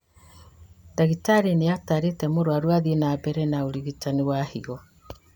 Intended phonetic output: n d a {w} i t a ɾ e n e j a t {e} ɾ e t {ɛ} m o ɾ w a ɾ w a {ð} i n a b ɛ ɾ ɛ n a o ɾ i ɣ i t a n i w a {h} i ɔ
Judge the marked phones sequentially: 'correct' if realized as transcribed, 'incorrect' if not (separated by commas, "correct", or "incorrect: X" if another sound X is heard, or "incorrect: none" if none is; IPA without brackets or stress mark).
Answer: incorrect: ɣ, incorrect: a, correct, correct, correct